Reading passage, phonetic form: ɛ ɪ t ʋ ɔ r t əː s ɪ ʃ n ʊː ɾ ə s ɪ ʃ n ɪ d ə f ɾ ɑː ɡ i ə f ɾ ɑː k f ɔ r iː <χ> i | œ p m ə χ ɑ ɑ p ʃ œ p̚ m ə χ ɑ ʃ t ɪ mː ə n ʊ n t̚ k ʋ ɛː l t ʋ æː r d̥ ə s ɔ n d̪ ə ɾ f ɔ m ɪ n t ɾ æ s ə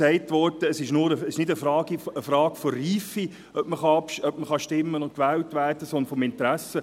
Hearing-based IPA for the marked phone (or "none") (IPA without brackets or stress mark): f